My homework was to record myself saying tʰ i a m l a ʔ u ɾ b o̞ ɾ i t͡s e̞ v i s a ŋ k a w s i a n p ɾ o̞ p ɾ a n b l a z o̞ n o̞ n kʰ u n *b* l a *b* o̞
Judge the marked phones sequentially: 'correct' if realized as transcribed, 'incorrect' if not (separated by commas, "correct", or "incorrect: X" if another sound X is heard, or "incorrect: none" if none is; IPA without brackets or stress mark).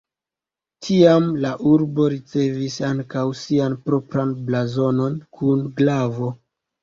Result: incorrect: ɡ, incorrect: v